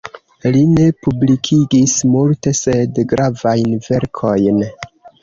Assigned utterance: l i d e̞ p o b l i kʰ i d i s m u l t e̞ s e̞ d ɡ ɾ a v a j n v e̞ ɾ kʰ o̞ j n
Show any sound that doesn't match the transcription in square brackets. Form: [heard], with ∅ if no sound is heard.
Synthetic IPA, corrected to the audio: l i [n] e̞ p [u] b l i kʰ i [ɡ] i s m u l t e̞ s e̞ d ɡ ɾ a v a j n v e̞ ɾ kʰ o̞ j n